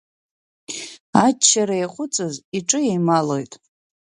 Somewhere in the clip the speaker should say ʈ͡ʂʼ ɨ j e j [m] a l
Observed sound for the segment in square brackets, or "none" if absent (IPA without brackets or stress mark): m